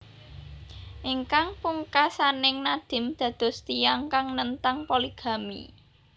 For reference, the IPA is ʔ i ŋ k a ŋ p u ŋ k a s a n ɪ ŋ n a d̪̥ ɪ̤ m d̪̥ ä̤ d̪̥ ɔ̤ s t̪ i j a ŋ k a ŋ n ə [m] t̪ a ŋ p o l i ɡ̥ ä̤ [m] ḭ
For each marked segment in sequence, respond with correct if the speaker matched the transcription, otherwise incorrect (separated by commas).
incorrect, correct